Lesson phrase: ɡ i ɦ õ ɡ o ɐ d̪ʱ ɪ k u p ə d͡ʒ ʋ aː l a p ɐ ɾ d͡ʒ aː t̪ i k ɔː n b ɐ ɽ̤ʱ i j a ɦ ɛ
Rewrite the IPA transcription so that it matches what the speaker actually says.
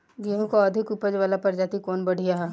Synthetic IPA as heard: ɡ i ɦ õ k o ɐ d̪ʱ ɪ k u p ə d͡ʒ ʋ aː l a p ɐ ɾ d͡ʒ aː t̪ i k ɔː n b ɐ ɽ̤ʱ i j a ɦ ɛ